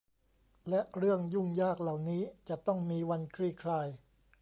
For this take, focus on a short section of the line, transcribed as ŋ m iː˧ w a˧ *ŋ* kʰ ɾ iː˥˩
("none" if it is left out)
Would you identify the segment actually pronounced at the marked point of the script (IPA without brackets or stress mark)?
n